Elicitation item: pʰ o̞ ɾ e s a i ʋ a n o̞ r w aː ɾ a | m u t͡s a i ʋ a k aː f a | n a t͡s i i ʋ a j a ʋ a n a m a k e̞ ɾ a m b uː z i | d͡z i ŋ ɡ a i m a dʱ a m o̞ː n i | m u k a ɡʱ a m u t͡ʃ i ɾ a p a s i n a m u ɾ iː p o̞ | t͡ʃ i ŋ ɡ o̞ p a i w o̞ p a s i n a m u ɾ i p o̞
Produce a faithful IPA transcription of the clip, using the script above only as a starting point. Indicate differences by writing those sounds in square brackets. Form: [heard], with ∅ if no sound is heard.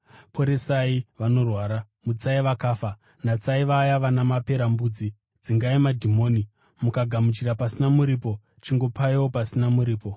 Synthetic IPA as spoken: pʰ o̞ ɾ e s a i ʋ a n o̞ r w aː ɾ a | m u t͡s a i ʋ a k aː f a | n a t͡s [a] i ʋ a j a ʋ a n a m a [p] e̞ ɾ a m b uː [d͡z] i | d͡z i ŋ ɡ a i m a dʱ [i] m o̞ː n i | m u k a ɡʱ a m u t͡ʃ i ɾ a p a s i n a m u ɾ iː p o̞ | t͡ʃ i ŋ ɡ o̞ p a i w o̞ p a s i n a m u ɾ [iː] p o̞